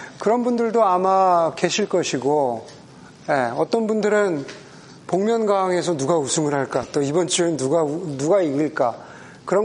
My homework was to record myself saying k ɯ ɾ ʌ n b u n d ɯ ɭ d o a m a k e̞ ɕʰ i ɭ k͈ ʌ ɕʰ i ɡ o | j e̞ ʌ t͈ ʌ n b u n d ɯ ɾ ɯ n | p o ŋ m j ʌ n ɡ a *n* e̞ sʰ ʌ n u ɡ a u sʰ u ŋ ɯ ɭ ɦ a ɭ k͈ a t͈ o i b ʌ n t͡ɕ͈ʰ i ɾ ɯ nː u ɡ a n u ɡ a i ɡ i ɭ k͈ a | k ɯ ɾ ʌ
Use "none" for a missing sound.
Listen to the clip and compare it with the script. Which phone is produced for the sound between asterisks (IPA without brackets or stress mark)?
ŋ